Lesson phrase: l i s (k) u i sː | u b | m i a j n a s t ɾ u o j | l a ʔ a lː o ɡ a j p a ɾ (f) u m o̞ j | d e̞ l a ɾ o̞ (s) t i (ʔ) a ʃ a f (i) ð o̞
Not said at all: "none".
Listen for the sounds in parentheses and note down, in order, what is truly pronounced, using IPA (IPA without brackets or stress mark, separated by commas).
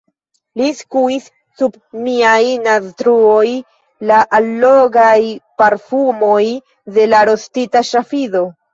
k, f, s, t, i